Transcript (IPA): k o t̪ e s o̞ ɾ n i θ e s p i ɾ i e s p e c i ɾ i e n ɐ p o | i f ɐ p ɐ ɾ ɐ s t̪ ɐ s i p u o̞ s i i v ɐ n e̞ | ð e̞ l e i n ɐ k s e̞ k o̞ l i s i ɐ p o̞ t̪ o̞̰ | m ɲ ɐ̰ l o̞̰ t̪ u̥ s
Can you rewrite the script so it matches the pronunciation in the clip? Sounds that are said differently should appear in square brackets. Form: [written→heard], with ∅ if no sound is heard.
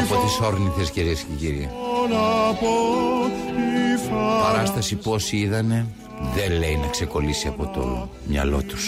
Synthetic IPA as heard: [k→p] o t̪ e s o̞ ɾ n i θ e s [p→c] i ɾ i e s [p→c] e c i ɾ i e n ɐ p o | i f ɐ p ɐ ɾ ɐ s t̪ ɐ s i p u o̞ s i i [v→ð] ɐ n e̞ | ð e̞ l e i n ɐ k s e̞ k o̞ l i s i ɐ p o̞ t̪ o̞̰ | m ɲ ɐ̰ l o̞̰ t̪ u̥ s